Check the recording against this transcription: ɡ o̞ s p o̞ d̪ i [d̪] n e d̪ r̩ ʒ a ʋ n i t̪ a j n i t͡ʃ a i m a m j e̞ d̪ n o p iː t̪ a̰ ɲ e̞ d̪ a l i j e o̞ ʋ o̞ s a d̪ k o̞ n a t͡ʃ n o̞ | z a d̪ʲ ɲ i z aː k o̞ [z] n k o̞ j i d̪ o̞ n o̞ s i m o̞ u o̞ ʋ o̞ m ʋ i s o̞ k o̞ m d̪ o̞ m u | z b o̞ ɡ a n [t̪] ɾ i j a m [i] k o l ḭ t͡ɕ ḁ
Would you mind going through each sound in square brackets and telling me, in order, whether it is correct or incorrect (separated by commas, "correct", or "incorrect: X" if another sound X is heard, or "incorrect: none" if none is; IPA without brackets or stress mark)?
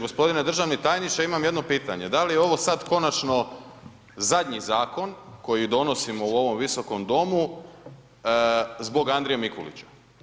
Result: incorrect: none, incorrect: none, incorrect: d̪, correct